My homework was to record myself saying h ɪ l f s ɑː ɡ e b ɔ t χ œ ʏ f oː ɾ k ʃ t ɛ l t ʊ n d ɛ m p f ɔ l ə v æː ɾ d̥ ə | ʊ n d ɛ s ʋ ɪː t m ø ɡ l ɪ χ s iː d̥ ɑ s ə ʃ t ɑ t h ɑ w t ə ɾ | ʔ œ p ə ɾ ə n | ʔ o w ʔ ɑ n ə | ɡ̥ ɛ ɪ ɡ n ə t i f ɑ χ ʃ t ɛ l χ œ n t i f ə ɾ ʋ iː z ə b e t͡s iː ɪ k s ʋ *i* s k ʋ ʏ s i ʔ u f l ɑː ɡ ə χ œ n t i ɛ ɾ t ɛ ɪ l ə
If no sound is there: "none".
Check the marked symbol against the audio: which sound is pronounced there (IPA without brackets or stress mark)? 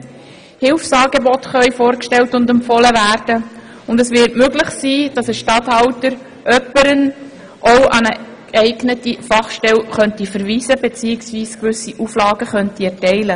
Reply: iː